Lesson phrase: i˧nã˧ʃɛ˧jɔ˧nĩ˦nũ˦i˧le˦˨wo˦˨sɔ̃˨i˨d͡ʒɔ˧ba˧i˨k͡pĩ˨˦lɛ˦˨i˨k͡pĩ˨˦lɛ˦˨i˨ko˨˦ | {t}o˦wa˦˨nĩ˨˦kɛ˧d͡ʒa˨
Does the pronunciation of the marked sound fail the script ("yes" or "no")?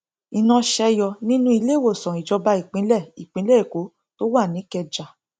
no